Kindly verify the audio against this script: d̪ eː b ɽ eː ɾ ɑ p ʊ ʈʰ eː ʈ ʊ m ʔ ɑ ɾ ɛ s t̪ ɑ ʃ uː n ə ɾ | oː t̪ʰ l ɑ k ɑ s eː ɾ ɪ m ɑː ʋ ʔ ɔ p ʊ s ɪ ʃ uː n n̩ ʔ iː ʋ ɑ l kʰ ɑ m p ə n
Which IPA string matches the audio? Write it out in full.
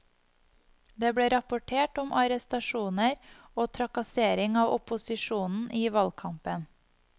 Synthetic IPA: d̪ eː b ɽ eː ɾ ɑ p ʊ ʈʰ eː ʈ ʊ m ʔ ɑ ɾ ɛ s t̪ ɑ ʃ uː n ə ɾ | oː t̪ʰ ɾ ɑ k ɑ s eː ɾ ɪ ŋ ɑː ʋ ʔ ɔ p ʊ s ɪ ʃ uː n n̩ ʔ iː ʋ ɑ l kʰ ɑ m p ə n